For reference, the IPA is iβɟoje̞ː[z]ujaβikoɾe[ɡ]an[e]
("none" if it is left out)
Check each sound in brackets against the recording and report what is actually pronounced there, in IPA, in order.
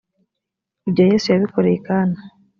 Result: s, k, a

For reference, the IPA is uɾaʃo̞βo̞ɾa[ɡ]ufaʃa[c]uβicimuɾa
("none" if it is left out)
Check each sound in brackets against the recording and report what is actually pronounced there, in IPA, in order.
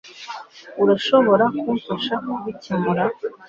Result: k, k

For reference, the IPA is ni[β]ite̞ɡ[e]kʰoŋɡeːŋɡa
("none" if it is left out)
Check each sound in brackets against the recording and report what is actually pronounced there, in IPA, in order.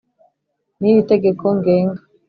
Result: β, e

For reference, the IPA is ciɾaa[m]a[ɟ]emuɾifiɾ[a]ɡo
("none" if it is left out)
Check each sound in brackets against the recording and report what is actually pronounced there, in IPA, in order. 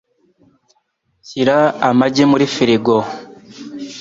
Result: m, ɟ, i

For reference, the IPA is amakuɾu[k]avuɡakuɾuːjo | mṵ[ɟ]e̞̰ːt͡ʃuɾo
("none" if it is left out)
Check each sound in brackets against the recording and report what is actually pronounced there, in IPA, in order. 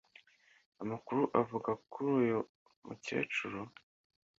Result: ʔ, c

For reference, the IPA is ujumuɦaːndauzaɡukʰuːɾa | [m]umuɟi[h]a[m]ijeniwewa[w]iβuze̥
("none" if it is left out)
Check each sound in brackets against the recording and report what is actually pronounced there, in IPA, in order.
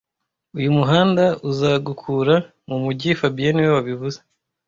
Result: m, f, b, β

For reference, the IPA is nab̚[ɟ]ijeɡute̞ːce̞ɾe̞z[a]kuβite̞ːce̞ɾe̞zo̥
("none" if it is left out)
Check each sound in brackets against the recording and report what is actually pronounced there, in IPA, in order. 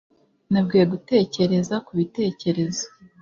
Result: ɡ, a

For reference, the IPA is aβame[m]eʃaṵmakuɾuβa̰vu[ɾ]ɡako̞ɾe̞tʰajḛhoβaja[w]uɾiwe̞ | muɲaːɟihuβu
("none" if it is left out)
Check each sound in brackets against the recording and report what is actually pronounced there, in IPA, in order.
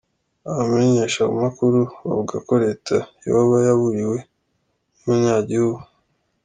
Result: ɲ, none, β

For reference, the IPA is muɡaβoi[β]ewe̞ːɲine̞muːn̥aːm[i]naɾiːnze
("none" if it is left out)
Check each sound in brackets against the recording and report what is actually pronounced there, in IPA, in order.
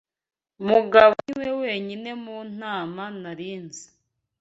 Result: w, a

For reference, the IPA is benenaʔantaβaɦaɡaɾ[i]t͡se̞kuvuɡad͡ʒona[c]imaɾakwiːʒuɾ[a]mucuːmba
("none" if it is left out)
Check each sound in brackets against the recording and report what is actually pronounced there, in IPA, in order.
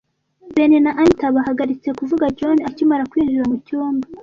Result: i, c, a

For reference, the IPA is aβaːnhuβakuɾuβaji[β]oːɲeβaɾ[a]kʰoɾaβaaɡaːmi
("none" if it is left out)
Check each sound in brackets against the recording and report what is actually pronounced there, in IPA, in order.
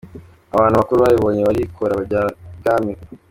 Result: β, i

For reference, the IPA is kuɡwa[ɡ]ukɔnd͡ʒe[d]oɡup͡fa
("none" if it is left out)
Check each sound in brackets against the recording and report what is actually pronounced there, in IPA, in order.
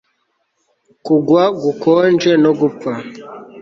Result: ɡ, n

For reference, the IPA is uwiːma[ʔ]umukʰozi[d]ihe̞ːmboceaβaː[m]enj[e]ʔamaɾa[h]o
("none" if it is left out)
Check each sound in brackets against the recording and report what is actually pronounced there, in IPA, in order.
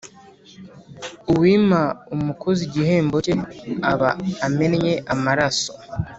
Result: none, ɟ, m, e, s

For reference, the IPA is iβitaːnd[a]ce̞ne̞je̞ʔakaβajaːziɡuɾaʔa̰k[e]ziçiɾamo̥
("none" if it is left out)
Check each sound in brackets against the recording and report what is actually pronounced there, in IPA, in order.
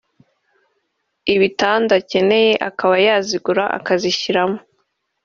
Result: a, a

